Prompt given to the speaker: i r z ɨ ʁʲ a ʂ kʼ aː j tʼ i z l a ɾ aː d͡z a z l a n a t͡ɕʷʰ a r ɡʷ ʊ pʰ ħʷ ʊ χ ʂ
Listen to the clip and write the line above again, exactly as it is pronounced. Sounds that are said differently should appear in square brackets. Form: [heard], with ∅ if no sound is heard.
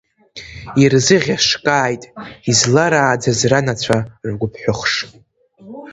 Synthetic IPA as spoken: i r z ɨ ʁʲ a ʂ kʼ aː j tʼ i z l a ɾ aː d͡z a z [r] a n a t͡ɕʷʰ a r ɡʷ ʊ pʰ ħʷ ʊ χ ʂ